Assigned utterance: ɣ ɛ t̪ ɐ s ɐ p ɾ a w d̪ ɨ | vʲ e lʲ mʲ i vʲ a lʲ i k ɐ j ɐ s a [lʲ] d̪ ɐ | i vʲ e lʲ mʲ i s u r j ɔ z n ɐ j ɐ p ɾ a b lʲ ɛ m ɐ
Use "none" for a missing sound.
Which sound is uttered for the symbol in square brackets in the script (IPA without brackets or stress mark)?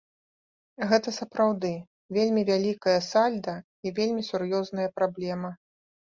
lʲ